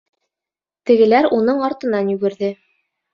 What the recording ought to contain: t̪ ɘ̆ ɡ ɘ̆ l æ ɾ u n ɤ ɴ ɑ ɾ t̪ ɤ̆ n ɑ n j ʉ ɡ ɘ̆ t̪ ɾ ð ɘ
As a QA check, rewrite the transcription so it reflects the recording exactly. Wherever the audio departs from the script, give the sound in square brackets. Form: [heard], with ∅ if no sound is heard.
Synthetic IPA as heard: t̪ ɘ̆ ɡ ɘ̆ l æ ɾ u n ɤ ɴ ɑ ɾ t̪ ɤ̆ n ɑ n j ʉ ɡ ɘ̆ [∅] ɾ ð ɘ

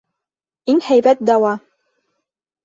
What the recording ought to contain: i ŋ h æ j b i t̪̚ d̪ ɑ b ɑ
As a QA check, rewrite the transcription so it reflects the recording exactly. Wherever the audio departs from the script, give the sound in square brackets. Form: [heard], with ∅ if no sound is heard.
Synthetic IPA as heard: i ŋ h æ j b [æ] t̪̚ d̪ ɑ [w] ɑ

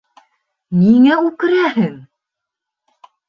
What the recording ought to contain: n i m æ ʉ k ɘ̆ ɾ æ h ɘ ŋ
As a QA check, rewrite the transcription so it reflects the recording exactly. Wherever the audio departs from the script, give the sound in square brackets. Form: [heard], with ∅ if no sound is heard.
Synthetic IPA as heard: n i [ŋ] æ ʉ k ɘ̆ ɾ æ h ɘ ŋ

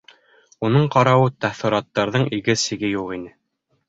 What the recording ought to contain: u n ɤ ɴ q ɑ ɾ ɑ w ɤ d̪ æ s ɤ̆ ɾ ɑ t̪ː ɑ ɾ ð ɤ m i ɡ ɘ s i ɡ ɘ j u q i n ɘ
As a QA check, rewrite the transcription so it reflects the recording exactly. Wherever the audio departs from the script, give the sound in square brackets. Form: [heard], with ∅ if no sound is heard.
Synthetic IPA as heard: u n ɤ ɴ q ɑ ɾ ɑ w ɤ [t̪] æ [θ] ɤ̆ ɾ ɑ t̪ː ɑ ɾ ð ɤ [ɴ] i ɡ ɘ s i ɡ ɘ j u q i n ɘ

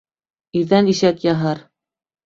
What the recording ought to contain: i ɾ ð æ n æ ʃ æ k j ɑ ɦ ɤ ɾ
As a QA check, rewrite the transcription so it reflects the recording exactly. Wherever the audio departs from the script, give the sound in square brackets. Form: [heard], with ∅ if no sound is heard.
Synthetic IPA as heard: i ɾ ð æ n [i] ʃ æ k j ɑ ɦ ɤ ɾ

